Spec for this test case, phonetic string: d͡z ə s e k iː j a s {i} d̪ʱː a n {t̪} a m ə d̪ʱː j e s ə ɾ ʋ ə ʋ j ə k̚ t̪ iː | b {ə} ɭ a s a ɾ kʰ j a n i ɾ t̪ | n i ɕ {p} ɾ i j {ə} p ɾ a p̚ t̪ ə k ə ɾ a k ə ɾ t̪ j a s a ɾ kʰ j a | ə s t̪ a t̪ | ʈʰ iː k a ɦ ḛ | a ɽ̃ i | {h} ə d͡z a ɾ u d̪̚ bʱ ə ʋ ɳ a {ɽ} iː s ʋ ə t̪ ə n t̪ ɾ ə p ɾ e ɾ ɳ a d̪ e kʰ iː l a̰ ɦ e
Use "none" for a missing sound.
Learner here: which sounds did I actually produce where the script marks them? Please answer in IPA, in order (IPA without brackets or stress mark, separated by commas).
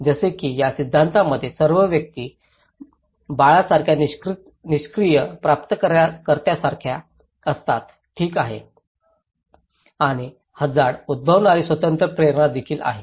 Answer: i, t̪, a, k, ə, h, ɾ